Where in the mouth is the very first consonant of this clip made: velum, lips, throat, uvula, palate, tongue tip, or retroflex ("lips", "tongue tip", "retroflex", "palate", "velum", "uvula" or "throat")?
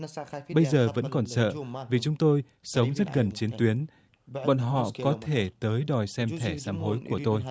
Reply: lips